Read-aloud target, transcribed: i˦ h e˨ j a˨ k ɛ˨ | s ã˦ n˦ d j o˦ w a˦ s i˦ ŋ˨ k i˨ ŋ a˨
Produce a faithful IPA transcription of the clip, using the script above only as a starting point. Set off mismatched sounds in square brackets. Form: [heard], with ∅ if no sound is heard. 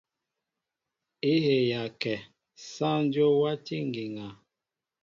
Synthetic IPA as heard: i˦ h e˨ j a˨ k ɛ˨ | s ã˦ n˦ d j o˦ w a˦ [t] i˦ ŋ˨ [ɡ] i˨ ŋ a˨